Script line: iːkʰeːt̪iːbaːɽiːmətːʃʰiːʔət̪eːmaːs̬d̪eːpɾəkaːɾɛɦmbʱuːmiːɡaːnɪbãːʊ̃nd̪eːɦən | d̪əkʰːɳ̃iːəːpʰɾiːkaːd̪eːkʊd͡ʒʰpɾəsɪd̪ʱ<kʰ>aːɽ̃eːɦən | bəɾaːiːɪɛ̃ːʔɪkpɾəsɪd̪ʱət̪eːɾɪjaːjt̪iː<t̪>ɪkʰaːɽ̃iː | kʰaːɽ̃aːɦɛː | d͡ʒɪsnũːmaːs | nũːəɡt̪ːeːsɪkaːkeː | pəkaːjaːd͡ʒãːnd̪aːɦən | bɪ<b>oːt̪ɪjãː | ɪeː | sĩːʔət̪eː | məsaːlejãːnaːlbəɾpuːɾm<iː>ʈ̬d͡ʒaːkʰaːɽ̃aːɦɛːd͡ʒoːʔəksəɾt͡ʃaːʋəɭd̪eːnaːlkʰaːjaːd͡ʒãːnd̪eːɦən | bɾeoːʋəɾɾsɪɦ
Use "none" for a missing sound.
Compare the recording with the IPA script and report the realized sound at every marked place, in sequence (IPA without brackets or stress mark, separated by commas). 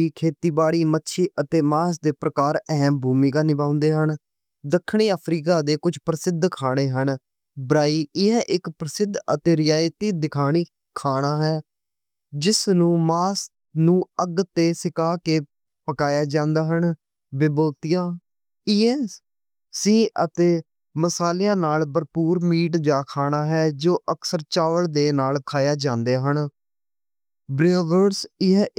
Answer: kʰ, d̪, b, iː